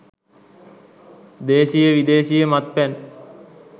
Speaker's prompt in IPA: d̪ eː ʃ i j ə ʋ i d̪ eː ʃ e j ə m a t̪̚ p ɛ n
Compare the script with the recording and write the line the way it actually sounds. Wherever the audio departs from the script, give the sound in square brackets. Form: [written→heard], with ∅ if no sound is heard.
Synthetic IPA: d̪ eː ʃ i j ə ʋ i d̪ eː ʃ [e→i] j ə m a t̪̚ p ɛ n